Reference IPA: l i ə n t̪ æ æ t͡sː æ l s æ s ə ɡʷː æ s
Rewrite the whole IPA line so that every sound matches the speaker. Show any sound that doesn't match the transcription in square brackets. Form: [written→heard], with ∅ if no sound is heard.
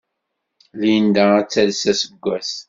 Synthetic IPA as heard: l i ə n [t̪→d̪] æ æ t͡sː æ l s æ s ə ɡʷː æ s